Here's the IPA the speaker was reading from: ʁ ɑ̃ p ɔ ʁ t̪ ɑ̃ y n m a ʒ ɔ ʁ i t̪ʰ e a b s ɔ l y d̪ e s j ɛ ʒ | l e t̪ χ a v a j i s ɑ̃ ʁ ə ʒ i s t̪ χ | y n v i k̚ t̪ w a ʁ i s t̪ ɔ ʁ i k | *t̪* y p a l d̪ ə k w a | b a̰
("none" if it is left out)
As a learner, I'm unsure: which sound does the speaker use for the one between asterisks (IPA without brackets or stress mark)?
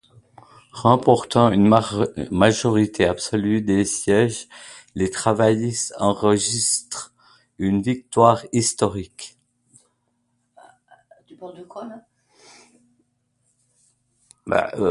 t̪